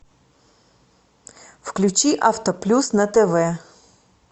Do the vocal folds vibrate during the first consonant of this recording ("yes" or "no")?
no